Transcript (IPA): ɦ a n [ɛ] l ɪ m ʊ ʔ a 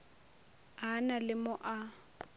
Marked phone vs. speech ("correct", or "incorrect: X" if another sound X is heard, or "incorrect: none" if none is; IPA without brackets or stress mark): incorrect: a